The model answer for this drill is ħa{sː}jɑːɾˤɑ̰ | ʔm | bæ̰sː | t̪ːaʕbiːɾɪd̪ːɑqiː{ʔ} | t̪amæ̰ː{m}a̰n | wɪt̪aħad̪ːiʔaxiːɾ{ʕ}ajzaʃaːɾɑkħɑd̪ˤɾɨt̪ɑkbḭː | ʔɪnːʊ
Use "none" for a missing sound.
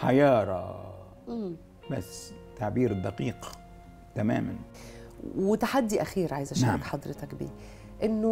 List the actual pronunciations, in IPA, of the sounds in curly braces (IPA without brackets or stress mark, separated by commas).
none, q, m, ʕ